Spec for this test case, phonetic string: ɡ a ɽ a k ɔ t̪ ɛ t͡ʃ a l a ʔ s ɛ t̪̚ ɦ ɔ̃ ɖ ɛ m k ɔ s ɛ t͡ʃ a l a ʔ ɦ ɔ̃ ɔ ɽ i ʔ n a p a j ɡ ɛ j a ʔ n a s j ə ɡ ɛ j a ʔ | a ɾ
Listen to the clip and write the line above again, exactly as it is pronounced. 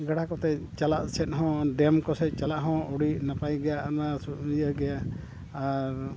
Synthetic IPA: ɡ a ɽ a k ɔ t̪ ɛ t͡ʃ a l a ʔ s ɛ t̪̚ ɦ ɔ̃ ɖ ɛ m k ɔ s ɛ t͡ʃ a l a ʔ ɦ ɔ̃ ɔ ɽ i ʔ n a p a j ɡ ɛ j a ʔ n a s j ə ɡ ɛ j a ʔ | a ɾ

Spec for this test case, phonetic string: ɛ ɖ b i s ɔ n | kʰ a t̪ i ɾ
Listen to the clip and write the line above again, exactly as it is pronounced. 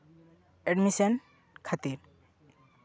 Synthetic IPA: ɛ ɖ m i s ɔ n | kʰ a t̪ i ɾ

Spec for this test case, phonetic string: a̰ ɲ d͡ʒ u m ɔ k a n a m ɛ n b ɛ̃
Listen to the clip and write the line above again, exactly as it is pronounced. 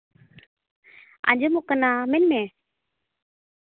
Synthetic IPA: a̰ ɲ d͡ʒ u m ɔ k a n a m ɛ n m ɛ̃

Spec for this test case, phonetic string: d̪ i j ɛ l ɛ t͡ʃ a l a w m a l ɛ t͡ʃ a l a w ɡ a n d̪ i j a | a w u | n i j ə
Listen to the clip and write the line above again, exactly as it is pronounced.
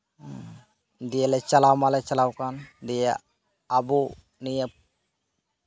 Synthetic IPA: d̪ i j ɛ l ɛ t͡ʃ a l a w m a l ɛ t͡ʃ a l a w k a n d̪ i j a | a b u | n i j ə

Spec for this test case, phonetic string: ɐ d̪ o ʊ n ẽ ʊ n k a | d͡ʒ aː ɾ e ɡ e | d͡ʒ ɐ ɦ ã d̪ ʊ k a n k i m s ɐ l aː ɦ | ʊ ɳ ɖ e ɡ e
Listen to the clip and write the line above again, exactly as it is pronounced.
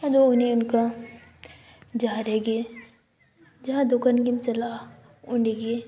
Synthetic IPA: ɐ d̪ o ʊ n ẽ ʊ n k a | d͡ʒ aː ɾ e ɡ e | d͡ʒ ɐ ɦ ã d̪ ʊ k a n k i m s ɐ l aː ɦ | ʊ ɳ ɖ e ɡ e

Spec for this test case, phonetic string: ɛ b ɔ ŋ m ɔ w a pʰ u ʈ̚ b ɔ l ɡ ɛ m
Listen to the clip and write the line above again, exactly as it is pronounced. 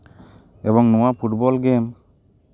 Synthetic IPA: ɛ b ɔ ŋ n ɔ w a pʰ u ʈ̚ b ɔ l ɡ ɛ m

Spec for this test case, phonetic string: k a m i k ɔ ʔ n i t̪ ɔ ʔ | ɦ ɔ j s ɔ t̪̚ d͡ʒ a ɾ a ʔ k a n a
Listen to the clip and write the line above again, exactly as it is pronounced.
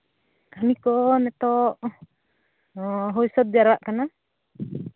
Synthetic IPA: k a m i k ɔ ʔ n ɛ t̪ ɔ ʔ | ɦ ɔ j s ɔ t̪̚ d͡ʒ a ɾ a ʔ k a n a

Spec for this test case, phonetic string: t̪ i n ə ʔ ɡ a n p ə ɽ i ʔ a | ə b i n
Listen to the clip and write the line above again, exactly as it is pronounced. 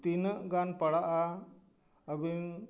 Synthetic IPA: t̪ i n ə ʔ ɡ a n p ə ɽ a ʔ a | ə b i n

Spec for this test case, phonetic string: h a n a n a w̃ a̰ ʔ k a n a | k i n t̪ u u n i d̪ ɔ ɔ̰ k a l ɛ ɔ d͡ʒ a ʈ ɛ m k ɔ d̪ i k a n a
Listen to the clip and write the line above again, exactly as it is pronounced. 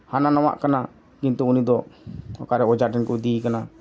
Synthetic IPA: h a n a n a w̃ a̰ ʔ k a n a | k i n t̪ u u n i d̪ ɔ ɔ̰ k a ɾ ɛ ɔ d͡ʒ a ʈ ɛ n k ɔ d̪ i k a n a

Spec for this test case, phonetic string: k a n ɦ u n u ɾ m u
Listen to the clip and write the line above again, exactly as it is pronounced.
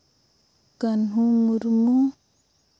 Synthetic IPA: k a n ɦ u m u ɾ m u

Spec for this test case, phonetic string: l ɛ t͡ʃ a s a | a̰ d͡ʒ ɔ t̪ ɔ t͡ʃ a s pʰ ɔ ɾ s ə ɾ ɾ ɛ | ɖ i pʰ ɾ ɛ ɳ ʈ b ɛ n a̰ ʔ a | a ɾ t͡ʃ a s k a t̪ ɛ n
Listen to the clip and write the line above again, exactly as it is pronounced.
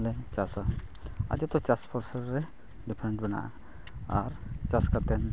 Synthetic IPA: l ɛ t͡ʃ a s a | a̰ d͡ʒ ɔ t̪ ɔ t͡ʃ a s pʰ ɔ ɾ s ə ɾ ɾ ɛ | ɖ i pʰ ɾ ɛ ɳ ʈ b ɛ n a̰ ʔ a | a ɾ t͡ʃ a s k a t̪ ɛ n

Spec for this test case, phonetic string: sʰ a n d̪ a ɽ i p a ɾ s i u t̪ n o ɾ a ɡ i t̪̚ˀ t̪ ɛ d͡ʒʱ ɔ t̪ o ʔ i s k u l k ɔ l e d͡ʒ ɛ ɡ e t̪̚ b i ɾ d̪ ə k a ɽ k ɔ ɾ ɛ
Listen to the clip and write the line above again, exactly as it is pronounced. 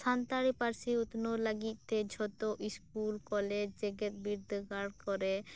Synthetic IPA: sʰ a n t̪ a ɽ i p a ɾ s i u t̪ n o l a ɡ i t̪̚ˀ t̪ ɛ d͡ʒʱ ɔ t̪ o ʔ i s k u l k ɔ l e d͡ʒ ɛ ɡ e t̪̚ b i ɾ d̪ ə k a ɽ k ɔ ɾ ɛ

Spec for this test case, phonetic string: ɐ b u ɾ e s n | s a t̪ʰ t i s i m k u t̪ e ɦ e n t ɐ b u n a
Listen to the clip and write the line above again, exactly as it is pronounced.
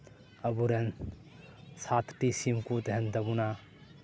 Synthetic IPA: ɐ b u ɾ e n | s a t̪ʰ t i s i m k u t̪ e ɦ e n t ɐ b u n a

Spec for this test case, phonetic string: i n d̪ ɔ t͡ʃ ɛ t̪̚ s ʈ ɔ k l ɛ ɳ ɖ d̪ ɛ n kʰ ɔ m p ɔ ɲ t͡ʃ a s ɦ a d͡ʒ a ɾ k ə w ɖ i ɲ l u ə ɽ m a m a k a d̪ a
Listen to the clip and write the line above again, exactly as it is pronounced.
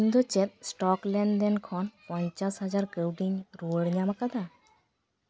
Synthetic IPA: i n d̪ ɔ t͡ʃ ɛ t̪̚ s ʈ ɔ k l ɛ ɳ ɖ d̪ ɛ n kʰ ɔ n p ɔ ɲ t͡ʃ a s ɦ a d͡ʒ a ɾ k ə w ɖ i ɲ ɾ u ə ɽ ɲ a m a k a d̪ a

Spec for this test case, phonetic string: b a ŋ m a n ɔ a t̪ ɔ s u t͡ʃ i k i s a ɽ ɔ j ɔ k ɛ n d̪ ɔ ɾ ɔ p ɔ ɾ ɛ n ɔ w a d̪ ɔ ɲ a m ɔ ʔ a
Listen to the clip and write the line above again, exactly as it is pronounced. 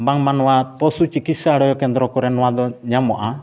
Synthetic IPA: b a ŋ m a n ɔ a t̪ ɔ s u t͡ʃ i k i s a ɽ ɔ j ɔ k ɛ n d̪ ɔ ɾ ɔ k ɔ ɾ ɛ n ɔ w a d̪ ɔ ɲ a m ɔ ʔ a

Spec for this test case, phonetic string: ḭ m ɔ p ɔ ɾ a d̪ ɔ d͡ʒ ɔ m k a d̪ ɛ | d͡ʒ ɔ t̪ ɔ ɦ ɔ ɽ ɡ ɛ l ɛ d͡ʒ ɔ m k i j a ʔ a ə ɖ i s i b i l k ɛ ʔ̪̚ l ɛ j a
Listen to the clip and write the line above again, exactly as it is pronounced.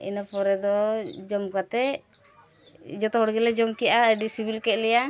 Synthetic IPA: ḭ n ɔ p ɔ ɾ ɛ d̪ ɔ d͡ʒ ɔ m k a t̪ ɛ | d͡ʒ ɔ t̪ ɔ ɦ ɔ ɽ ɡ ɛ l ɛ d͡ʒ ɔ m k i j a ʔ a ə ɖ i s i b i l k ɛ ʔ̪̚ l ɛ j a

